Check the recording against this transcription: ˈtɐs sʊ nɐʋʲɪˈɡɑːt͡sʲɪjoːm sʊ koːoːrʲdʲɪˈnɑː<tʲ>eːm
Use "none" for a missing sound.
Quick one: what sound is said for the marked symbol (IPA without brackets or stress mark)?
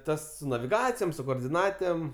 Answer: tʲ